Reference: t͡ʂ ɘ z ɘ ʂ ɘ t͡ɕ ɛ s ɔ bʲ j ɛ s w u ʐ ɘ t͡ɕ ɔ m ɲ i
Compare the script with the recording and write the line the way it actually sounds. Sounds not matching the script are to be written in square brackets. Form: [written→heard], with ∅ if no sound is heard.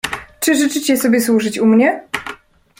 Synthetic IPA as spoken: t͡ʂ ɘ [z→ʐ] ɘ [ʂ→t͡ʂ] ɘ t͡ɕ ɛ s ɔ bʲ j ɛ s w u ʐ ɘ t͡ɕ [ɔ→u] m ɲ [i→ɛ]

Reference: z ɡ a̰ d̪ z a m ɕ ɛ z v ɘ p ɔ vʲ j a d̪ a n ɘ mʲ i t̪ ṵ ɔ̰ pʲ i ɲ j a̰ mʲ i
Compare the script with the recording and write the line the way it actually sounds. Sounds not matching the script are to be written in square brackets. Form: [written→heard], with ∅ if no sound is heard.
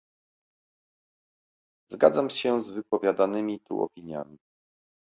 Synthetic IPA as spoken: z ɡ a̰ d̪ z a m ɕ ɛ z v ɘ p ɔ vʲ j a d̪ a n ɘ mʲ i t̪ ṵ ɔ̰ pʲ i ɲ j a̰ mʲ i

